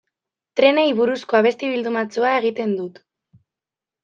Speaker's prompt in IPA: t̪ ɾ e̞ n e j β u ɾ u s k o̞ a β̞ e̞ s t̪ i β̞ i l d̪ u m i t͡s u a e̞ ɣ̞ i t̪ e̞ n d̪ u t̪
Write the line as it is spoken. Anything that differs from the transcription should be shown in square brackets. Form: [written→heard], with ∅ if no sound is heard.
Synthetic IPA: t̪ ɾ e̞ n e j β u ɾ u s k o̞ a β̞ e̞ s t̪ i β̞ i l d̪ u m [i→a] t͡s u a e̞ ɣ̞ i t̪ e̞ n d̪ u t̪